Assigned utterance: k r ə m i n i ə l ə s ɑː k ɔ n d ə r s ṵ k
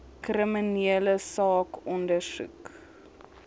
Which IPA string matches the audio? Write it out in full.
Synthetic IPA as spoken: k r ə m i n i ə l ə s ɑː k ɔ n d ə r s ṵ k